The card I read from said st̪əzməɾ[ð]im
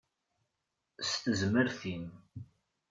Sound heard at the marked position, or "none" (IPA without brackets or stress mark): θ